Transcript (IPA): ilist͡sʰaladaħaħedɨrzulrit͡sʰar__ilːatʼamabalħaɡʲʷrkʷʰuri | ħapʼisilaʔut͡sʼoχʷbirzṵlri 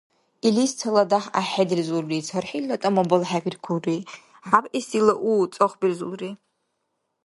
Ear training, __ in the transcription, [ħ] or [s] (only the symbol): ħ